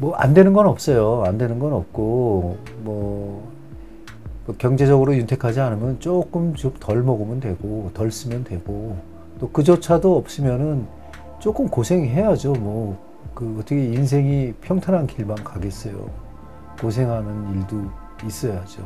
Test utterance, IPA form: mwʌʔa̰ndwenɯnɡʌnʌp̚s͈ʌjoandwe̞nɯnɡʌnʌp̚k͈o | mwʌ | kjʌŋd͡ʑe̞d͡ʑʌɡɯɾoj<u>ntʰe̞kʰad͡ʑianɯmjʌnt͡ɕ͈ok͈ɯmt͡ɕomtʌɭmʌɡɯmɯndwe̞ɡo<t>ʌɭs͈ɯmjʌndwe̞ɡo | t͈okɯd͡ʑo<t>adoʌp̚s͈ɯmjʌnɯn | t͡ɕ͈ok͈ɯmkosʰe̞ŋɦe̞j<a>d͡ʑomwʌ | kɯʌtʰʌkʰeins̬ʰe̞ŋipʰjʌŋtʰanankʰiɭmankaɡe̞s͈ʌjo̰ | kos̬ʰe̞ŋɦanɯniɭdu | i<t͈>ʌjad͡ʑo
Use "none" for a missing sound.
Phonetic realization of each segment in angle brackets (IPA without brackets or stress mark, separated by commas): u, t, t͡ɕʰ, a, s͈